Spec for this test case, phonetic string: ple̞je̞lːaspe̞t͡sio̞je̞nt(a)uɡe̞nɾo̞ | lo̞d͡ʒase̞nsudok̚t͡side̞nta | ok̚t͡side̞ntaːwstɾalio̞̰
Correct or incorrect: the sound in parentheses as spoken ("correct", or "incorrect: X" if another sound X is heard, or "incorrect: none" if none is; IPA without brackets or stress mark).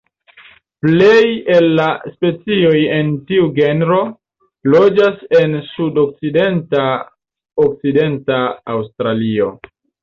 incorrect: i